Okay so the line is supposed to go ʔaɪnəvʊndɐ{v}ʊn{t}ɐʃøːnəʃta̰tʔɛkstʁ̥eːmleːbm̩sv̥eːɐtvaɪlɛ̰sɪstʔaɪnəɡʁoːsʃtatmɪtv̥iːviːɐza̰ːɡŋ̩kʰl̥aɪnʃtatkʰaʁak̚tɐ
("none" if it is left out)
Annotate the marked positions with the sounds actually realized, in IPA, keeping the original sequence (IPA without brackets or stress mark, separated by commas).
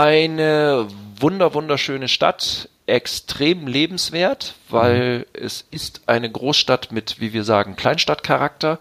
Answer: v, d